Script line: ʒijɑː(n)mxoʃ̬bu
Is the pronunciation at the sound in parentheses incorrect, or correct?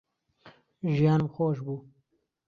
correct